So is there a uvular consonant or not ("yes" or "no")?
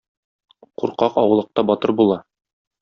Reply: yes